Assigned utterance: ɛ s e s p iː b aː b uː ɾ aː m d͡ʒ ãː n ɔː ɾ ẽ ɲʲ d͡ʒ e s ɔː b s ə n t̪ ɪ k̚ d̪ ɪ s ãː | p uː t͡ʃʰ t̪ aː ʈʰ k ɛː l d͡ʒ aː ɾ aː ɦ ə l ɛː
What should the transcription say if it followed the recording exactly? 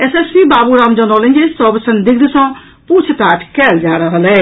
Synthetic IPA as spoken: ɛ s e s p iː b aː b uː ɾ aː m d͡ʒ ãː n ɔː l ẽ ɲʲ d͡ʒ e s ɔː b s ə n d̪ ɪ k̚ d̪ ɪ s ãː | p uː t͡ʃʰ t̪ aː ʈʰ k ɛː l d͡ʒ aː ɾ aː ɦ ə l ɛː